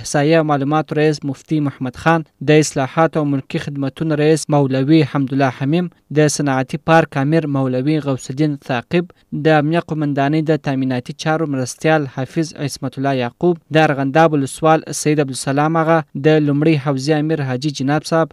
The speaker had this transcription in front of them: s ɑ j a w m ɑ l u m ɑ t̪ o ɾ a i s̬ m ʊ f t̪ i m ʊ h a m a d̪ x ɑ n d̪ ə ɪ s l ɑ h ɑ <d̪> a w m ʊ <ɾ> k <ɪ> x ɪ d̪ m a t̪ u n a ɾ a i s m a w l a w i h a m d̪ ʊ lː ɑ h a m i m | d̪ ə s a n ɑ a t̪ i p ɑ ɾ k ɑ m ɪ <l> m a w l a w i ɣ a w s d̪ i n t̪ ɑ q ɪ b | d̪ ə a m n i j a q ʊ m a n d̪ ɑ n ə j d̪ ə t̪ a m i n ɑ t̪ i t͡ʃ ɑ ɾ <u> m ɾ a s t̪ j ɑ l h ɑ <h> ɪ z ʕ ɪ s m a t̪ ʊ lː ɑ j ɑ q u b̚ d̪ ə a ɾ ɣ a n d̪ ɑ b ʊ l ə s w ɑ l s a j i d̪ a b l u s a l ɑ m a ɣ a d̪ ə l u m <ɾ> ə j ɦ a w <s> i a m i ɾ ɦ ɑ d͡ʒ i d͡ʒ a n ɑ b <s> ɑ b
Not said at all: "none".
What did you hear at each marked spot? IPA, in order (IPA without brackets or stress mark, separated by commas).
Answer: t̪, l, i, ɾ, o, f, ɽ, z, s